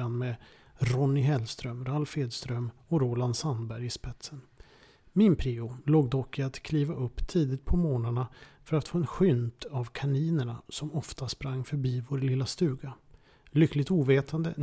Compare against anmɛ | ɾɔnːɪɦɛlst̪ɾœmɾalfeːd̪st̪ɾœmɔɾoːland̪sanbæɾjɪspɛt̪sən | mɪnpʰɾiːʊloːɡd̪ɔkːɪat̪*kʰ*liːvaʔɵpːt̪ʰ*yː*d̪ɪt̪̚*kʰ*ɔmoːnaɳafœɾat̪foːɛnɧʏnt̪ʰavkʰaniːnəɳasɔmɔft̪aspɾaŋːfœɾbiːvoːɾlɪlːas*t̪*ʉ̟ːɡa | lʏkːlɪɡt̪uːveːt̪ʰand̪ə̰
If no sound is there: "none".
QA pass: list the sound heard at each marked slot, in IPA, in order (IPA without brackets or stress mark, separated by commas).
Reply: kʰ, iː, pʰ, t̪